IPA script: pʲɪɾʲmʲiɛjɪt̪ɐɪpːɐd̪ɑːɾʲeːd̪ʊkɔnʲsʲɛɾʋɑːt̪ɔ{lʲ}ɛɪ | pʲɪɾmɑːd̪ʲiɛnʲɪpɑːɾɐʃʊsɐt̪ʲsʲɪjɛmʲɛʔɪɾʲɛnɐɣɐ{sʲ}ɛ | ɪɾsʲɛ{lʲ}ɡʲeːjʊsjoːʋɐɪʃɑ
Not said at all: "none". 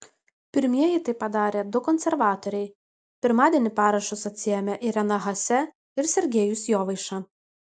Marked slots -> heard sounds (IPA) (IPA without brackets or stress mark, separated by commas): ɾʲ, sʲ, ɾʲ